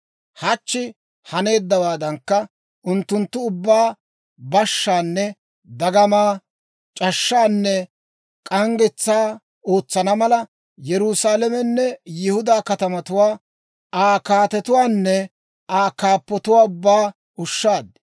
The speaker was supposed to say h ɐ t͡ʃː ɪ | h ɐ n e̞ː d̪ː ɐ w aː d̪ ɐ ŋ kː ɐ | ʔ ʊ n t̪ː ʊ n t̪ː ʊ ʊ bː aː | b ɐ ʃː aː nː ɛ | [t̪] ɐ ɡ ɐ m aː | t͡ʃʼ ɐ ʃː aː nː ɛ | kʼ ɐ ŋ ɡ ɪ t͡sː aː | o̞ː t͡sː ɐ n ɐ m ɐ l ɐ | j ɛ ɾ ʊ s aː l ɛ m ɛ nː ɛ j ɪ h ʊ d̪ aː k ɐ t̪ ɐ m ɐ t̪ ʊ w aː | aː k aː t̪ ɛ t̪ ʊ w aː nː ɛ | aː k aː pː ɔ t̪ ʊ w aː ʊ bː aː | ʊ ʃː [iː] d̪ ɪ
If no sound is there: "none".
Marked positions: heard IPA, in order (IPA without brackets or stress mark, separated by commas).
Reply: d̪, aː